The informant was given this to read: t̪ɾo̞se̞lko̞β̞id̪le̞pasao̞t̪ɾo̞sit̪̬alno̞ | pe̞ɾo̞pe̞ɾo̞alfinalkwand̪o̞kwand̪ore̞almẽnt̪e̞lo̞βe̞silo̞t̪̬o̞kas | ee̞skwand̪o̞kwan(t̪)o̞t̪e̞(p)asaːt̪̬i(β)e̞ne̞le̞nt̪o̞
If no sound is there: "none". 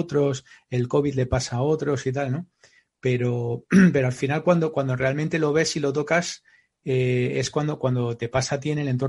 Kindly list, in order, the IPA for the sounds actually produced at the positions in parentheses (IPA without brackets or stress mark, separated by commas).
d̪, p, none